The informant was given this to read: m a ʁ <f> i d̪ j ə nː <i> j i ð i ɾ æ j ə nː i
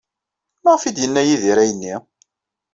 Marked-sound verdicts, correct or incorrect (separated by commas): correct, incorrect